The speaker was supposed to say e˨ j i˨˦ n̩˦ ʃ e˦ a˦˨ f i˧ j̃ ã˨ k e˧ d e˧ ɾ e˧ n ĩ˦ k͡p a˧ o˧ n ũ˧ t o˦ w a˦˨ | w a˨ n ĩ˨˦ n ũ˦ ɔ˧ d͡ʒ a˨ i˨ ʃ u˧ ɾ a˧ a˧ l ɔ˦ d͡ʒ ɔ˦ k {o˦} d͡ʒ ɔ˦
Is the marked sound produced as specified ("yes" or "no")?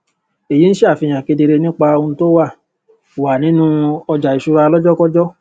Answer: no